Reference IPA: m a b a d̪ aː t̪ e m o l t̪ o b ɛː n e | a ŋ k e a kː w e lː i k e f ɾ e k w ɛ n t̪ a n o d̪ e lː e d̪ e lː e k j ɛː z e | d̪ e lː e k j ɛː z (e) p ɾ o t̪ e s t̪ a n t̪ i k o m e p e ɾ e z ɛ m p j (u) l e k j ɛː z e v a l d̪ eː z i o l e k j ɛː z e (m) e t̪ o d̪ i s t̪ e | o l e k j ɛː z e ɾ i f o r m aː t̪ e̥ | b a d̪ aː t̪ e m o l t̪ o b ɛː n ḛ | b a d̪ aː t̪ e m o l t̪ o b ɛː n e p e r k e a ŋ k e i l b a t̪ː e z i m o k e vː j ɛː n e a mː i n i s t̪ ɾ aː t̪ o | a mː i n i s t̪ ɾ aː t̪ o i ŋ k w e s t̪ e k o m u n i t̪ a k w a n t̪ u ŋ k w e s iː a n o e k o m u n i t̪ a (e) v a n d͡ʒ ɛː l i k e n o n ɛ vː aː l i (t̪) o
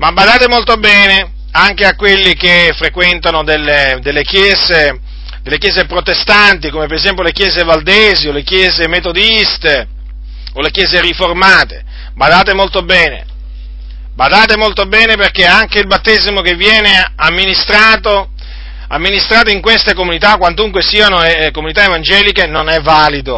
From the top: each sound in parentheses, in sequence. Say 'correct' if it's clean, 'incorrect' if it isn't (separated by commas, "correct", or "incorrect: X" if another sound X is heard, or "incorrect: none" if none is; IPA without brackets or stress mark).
correct, incorrect: o, correct, correct, incorrect: d̪